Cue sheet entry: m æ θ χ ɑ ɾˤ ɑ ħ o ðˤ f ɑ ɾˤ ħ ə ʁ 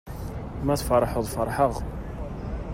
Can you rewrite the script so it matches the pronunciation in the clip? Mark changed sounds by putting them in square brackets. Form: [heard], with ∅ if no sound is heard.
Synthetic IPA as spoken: m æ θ [f] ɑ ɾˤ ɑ ħ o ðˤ f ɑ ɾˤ ħ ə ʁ